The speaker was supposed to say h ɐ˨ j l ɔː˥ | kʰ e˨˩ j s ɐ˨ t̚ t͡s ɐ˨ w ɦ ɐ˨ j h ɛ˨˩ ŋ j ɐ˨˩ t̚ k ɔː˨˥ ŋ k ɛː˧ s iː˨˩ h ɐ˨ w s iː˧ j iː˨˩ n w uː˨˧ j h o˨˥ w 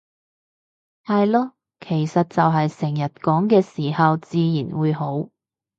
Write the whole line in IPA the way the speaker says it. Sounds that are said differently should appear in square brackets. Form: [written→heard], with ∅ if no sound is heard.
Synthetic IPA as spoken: h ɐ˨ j l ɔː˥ | kʰ e˨˩ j s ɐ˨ t̚ t͡s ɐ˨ w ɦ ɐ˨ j [h→s] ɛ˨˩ ŋ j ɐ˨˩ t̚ k ɔː˨˥ ŋ k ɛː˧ s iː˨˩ h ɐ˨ w [s→t͡s] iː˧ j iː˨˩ n w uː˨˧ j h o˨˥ w